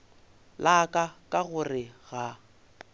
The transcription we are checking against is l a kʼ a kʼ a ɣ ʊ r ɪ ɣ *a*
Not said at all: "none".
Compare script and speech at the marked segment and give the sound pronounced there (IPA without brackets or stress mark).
a